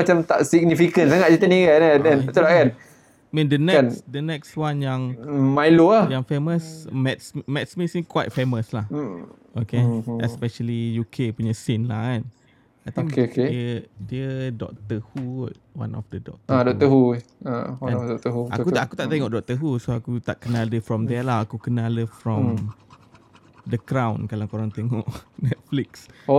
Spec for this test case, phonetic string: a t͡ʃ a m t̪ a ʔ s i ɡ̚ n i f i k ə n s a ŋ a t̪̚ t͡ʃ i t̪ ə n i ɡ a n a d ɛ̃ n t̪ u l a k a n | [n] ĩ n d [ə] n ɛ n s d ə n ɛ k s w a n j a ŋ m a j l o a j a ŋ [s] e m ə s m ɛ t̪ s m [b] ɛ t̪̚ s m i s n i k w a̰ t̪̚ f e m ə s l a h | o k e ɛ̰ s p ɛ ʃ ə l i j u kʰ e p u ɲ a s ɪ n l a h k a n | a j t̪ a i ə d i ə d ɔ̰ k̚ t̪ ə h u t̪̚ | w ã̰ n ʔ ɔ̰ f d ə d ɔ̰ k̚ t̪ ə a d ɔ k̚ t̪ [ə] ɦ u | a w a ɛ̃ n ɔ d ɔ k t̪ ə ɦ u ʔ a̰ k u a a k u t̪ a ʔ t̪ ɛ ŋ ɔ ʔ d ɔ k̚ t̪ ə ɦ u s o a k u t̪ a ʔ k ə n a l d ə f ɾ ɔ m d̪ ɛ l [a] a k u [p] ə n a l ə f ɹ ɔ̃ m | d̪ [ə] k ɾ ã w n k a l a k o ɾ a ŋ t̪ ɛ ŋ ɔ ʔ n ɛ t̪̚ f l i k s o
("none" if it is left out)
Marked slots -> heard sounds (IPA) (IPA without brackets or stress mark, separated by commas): m, ə, f, m, ə, a, k, ə